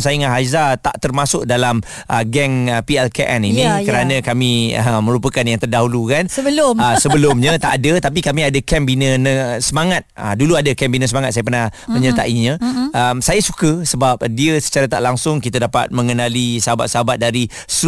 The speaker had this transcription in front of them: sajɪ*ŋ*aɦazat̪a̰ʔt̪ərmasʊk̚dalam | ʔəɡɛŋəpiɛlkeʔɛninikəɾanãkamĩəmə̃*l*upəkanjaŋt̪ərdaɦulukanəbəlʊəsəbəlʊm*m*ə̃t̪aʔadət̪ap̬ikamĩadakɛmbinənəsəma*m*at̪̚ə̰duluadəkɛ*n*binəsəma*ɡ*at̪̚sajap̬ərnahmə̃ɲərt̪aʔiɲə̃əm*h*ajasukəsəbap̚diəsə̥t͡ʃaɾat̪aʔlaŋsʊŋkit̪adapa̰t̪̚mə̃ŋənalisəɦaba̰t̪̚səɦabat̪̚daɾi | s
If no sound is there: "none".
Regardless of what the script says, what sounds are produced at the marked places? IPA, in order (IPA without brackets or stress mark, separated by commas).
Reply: ŋ, ɾ, ɲ, ŋ, m, ŋ, s